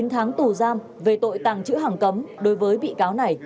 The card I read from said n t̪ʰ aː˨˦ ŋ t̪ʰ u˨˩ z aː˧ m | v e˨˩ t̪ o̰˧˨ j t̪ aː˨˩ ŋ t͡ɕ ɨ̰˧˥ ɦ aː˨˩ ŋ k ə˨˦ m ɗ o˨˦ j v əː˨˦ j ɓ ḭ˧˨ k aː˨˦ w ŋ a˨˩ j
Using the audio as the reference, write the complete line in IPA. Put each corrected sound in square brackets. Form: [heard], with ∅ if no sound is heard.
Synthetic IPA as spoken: n t̪ʰ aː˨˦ ŋ [t̪] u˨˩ z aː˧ m | v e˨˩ t̪ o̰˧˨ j t̪ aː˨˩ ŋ t͡ɕ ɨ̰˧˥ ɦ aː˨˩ ŋ k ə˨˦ m ɗ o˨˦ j v əː˨˦ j ɓ ḭ˧˨ k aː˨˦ w [n] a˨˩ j